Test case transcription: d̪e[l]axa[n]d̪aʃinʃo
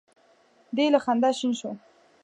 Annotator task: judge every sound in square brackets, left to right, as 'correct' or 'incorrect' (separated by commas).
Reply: correct, correct